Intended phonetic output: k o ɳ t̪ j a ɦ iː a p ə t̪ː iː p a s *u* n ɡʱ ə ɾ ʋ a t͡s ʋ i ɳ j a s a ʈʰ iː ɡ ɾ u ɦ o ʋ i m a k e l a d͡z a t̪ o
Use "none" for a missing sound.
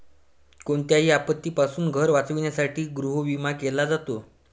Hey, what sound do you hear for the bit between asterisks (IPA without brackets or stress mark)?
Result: uː